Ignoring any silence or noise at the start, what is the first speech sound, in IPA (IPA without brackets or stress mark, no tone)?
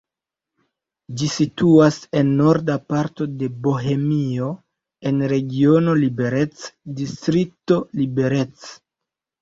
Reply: d͡ʒ